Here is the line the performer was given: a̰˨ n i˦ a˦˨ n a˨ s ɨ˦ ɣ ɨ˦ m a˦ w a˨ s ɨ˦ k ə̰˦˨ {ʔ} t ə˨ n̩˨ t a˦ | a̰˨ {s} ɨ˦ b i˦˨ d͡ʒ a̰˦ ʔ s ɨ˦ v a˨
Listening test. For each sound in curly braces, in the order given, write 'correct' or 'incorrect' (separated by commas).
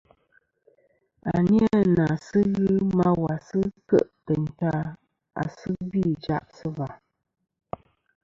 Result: correct, correct